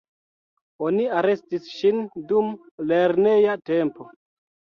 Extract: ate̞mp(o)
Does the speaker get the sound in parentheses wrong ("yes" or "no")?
no